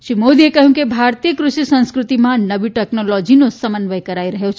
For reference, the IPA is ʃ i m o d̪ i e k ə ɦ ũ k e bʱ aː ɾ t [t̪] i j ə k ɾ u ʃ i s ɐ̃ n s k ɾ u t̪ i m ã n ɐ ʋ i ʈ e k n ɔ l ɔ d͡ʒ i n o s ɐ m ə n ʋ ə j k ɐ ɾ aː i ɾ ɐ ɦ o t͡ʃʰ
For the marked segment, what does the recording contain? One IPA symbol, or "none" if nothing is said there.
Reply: t̪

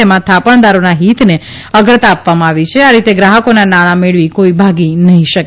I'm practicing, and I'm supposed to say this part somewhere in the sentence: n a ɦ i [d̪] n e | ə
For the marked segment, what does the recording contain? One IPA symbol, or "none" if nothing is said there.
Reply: t̪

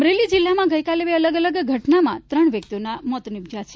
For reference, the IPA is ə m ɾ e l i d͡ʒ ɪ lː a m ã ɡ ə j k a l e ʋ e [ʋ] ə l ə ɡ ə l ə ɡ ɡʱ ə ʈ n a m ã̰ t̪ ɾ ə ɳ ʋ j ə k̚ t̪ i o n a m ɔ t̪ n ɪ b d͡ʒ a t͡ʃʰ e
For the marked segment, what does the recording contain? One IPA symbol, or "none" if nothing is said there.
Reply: none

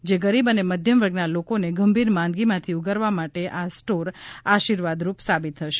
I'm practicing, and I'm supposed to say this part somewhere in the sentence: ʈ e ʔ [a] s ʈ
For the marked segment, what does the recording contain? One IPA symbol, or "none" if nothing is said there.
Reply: a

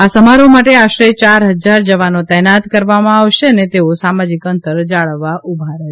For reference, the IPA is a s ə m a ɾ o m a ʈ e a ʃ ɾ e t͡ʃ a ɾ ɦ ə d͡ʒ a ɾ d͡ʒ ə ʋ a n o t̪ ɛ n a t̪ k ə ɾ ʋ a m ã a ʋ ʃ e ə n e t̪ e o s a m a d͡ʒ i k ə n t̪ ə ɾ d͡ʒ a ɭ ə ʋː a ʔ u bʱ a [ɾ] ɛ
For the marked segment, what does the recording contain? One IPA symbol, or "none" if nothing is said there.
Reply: ɾ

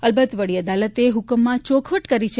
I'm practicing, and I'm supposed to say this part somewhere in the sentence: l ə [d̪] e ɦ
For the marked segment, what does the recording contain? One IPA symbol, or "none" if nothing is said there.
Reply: t̪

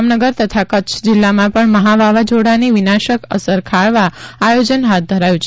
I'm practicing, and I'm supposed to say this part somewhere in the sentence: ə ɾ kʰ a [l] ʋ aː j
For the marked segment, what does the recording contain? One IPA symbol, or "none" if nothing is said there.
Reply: ɭ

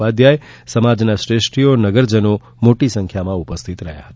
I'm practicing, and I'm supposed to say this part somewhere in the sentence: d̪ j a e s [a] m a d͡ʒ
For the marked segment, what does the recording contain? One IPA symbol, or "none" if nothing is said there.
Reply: ə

